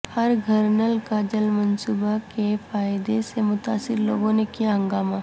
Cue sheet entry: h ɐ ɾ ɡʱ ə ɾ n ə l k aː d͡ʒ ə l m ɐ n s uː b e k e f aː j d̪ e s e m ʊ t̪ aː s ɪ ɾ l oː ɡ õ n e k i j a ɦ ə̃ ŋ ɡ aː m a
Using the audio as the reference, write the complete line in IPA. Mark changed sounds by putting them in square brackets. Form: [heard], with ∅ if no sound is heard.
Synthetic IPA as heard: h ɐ ɾ ɡʱ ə ɾ n ə l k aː d͡ʒ ə l m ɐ n s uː b [a] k e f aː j d̪ e s e m ʊ t̪ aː s ɪ ɾ l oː ɡ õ n e k i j a ɦ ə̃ ŋ ɡ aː m a